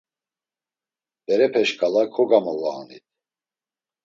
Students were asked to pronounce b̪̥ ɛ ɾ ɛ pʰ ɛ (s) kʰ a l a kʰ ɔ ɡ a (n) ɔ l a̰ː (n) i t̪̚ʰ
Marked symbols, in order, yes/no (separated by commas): no, no, yes